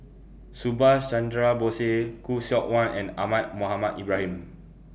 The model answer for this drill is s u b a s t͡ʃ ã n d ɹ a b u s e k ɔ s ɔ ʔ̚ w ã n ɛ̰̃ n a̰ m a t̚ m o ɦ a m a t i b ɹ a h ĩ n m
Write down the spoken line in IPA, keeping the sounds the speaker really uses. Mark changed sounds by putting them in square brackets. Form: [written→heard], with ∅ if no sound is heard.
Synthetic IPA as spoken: s u b a s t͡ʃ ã n d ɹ a b [u→o] s e k [ɔ→u] s ɔ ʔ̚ w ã n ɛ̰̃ n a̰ m a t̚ m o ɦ a m a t i b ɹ a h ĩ [n→∅] m